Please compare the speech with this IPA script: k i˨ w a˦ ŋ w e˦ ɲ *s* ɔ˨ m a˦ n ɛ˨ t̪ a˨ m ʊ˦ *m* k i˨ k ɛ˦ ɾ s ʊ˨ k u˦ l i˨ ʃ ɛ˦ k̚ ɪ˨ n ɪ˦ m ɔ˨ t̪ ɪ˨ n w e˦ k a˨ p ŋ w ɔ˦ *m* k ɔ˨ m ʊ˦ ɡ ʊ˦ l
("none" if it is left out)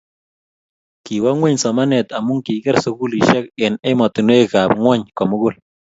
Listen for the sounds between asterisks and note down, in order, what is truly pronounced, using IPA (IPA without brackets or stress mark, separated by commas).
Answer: s, ŋ, ɲ